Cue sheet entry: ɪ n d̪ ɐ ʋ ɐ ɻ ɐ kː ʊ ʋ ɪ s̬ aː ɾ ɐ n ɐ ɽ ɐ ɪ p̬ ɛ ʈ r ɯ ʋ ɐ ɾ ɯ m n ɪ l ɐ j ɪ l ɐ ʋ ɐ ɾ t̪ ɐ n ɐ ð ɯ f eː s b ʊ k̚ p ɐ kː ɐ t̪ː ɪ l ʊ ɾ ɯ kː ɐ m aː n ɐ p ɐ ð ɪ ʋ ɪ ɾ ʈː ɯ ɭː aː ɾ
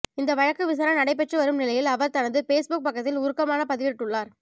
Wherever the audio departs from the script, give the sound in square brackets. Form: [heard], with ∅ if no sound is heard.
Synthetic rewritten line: ɪ n d̪ ɐ ʋ ɐ ɻ ɐ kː [ɯ] ʋ ɪ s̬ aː ɾ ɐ n ɐ ɽ ɐ ɪ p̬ ɛ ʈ r ɯ ʋ ɐ ɾ ɯ m n ɪ l ɐ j ɪ l ɐ ʋ ɐ ɾ t̪ ɐ n ɐ ð ɯ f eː s b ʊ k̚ p ɐ kː ɐ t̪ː ɪ l ʊ ɾ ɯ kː ɐ m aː n ɐ p ɐ ð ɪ ʋ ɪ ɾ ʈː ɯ ɭː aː ɾ

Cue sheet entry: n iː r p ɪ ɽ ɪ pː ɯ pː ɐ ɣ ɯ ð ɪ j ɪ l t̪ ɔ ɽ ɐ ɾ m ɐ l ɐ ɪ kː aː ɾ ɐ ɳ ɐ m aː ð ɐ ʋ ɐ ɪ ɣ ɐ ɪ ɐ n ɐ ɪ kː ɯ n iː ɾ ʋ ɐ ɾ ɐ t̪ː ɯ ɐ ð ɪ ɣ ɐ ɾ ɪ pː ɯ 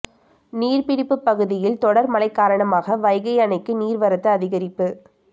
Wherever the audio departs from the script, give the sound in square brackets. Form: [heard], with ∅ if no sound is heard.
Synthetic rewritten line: n iː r p ɪ ɽ ɪ pː ɯ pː ɐ ɣ ɯ ð ɪ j ɪ l t̪ ɔ ɽ ɐ ɾ m ɐ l ɐ ɪ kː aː ɾ ɐ ɳ ɐ m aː [ɣ] ɐ ʋ ɐ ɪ ɣ ɐ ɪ ɐ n ɐ ɪ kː ɯ n iː ɾ ʋ ɐ ɾ ɐ t̪ː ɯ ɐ ð ɪ ɣ ɐ ɾ ɪ pː ɯ

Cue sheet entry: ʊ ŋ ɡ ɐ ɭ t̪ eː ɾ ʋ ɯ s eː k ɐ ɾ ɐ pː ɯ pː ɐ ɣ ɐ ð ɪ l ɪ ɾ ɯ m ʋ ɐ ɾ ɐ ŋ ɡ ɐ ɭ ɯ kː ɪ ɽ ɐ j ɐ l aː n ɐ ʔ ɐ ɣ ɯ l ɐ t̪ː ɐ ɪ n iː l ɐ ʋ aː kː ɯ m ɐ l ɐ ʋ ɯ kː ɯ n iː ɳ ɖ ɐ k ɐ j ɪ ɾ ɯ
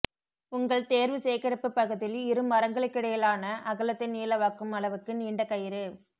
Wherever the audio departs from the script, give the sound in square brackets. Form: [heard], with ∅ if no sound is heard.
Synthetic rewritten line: ʊ ŋ ɡ ɐ ɭ t̪ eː ɾ ʋ ɯ s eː k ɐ ɾ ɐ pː ɯ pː ɐ ɣ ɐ ð ɪ l ɪ ɾ ɯ m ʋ ɐ ɾ ɐ ŋ ɡ ɐ ɭ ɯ kː ɪ ɽ ɐ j ɐ l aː n ɐ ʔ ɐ ɣ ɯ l ɐ t̪ː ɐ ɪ n iː l ɐ ʋ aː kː ɯ m ɐ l ɐ ʋ ɯ kː ɯ n iː ɳ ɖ ɐ k ɐ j ɪ ɾ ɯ

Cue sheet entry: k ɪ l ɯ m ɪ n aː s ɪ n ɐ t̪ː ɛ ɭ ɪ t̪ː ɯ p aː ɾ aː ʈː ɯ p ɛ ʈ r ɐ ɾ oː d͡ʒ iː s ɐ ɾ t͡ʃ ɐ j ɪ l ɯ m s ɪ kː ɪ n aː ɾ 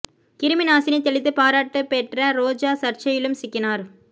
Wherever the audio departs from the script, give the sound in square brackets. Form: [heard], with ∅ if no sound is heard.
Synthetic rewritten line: k ɪ [ɾ] ɯ m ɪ n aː s ɪ n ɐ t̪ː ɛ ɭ ɪ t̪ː ɯ p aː ɾ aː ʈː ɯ p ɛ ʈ r ɐ ɾ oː d͡ʒ [aː] s ɐ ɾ t͡ʃ ɐ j ɪ l ɯ m s ɪ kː ɪ n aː ɾ

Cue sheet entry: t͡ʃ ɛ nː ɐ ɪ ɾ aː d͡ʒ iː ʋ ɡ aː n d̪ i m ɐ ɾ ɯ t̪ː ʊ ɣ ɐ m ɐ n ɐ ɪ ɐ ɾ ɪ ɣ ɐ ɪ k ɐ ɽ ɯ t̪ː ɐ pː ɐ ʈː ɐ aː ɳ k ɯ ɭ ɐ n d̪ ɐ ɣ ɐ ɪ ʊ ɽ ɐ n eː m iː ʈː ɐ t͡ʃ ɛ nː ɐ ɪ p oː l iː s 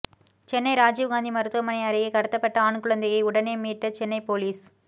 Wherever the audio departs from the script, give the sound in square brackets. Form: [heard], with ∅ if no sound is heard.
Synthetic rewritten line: t͡ʃ ɛ nː ɐ ɪ ɾ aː d͡ʒ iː ʋ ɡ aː n d̪ i m ɐ ɾ ɯ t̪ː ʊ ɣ ɐ m ɐ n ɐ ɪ ɐ ɾ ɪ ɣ ɐ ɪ k ɐ ɽ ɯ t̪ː ɐ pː ɐ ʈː ɐ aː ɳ k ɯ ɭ ɐ n d̪ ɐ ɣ ɐ ɪ ʊ ɽ ɐ n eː m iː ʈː ɐ t͡ʃ ɛ nː ɐ ɪ p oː l iː s

